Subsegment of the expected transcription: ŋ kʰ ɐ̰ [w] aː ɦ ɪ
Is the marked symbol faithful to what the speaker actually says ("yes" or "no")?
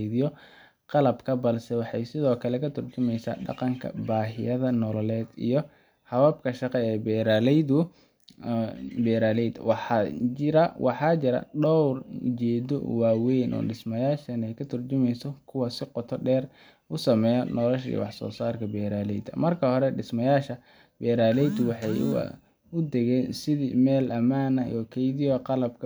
no